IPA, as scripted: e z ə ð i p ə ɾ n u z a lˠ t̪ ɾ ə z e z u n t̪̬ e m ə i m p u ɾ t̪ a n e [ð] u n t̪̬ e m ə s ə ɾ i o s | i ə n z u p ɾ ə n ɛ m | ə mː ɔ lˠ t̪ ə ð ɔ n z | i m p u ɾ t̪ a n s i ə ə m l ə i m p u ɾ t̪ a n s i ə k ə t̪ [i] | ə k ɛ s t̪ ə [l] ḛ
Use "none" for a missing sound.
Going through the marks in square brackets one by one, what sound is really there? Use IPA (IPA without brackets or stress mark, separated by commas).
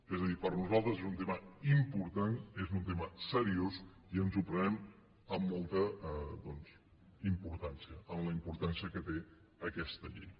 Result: z, e, ʎ